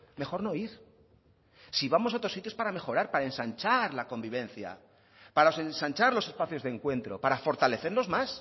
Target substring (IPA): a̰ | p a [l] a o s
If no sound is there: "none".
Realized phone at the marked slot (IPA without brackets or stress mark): ɾ